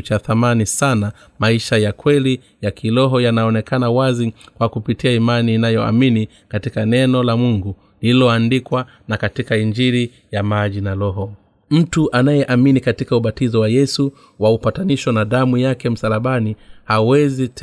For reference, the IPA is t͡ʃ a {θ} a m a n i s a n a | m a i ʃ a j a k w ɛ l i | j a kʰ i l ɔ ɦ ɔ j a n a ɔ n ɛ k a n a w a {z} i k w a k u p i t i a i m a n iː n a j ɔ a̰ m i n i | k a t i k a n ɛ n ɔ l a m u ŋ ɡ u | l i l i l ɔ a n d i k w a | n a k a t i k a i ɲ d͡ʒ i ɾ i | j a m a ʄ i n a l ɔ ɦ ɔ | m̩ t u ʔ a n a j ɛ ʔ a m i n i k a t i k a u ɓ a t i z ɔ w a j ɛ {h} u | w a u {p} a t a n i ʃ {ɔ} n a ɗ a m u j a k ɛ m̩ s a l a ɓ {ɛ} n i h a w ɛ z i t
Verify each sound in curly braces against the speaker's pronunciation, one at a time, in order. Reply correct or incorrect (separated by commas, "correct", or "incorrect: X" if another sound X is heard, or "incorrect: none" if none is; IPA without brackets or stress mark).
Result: correct, correct, incorrect: s, correct, correct, incorrect: a